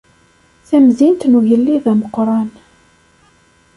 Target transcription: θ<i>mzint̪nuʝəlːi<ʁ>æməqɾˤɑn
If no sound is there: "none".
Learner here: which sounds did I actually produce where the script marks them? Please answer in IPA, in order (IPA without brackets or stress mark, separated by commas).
æ, ð